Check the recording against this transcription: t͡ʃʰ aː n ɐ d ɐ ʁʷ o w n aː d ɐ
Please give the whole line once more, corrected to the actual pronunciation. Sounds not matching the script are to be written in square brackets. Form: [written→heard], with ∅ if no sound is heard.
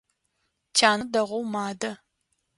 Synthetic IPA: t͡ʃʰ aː n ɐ d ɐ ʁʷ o w [n→m] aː d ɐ